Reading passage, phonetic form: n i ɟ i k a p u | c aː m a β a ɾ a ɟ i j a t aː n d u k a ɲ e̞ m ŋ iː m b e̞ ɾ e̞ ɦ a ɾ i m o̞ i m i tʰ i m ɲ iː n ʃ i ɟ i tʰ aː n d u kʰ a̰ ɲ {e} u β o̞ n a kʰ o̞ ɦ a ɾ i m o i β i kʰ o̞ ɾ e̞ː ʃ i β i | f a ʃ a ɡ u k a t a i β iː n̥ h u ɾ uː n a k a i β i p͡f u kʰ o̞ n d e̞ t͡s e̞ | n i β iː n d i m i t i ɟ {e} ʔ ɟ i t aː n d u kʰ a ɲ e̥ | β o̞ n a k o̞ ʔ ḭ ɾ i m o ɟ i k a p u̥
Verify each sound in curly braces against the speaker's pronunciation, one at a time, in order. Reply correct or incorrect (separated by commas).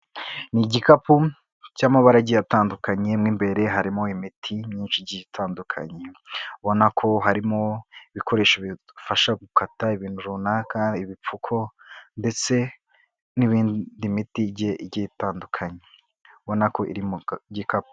correct, correct